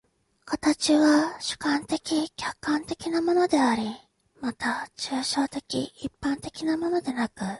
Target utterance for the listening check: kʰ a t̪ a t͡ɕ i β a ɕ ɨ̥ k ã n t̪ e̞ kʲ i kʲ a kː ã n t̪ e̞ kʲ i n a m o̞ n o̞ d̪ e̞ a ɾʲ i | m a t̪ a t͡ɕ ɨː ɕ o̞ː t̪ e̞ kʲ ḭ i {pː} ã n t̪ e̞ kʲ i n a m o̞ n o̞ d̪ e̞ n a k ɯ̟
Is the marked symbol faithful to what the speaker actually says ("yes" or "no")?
yes